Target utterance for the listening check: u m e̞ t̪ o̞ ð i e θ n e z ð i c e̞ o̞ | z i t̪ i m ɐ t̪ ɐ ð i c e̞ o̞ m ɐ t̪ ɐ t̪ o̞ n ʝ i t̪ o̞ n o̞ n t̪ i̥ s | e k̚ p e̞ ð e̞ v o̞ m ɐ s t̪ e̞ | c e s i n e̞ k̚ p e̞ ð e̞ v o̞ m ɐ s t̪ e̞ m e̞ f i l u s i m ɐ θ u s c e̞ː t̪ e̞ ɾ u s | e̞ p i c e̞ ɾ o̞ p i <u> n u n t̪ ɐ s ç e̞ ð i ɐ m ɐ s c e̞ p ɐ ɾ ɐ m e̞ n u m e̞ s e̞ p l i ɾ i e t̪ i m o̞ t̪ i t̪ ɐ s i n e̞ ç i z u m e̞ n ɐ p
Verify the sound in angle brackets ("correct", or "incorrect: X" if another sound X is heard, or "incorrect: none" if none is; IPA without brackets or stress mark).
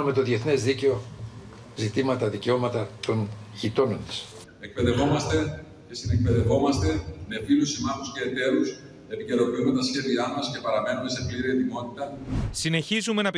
correct